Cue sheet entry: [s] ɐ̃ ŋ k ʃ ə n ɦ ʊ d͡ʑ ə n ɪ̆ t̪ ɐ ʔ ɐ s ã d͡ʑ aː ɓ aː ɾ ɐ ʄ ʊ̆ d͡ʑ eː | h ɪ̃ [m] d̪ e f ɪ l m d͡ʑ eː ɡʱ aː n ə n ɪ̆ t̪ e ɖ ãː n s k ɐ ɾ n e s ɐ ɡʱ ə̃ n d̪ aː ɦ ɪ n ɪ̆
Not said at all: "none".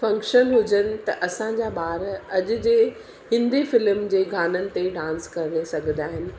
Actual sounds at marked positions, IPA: f, n

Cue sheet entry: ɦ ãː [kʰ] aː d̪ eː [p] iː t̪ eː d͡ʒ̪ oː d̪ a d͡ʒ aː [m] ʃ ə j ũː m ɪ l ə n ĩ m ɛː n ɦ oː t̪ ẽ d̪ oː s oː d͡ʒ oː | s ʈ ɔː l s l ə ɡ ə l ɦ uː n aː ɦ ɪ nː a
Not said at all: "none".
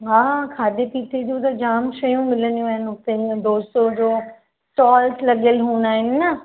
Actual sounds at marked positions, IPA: kʰ, p, m

